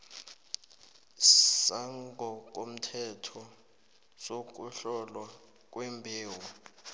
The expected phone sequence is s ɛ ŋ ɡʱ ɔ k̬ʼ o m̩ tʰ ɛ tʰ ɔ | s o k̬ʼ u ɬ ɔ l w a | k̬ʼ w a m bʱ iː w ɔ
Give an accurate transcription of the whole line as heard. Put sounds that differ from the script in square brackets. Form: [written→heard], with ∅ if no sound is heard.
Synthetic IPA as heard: s [ɛ→a] ŋ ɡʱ ɔ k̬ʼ o m̩ tʰ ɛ tʰ ɔ | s o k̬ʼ u ɬ ɔ l w a | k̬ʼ w [a→e] m bʱ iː w ɔ